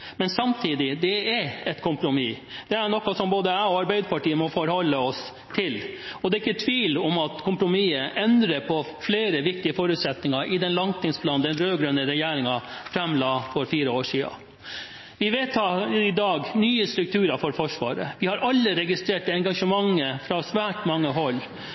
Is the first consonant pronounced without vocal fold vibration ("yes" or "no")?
no